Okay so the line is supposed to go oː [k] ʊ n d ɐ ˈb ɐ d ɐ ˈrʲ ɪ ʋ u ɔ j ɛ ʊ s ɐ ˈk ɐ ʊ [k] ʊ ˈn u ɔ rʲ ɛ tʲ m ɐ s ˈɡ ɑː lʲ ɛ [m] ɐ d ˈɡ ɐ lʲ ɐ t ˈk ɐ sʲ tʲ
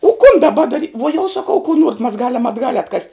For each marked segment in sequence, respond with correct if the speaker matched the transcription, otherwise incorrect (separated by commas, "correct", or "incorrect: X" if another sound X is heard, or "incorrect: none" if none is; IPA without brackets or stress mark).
correct, correct, correct